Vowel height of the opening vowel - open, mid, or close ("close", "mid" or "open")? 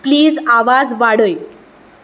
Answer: close